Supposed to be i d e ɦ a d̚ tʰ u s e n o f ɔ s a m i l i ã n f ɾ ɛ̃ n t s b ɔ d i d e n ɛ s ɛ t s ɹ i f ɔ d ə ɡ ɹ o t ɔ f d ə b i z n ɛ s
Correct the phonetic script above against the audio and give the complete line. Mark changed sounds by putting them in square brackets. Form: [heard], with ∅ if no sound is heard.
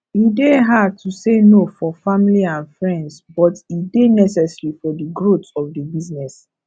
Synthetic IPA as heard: i d e ɦ a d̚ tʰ u s e n o f ɔ [f] a m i l i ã n f [ɹ] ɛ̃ n [d] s b ɔ [t] i d e n ɛ s ɛ [∅] s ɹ i f ɔ d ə ɡ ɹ o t ɔ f d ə b i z n ɛ s